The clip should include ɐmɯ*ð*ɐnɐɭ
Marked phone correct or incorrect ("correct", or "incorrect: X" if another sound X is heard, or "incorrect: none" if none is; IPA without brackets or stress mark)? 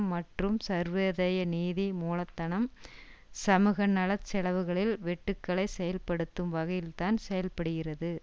incorrect: ɣ